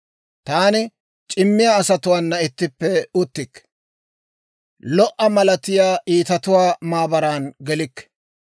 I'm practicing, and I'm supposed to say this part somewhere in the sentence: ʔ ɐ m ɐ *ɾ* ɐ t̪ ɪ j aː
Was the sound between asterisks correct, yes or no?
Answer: no